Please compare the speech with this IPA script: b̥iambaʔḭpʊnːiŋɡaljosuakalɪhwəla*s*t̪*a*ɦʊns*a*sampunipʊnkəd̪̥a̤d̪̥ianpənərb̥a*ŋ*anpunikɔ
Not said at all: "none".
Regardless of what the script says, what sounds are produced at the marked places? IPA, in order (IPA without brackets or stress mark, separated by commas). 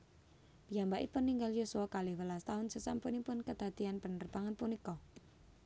s, a, ə, ŋ